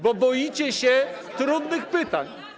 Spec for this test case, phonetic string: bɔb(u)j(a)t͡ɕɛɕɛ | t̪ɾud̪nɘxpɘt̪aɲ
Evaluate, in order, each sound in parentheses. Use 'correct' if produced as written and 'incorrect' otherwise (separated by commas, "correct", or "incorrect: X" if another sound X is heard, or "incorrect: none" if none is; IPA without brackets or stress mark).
incorrect: ɔ, incorrect: i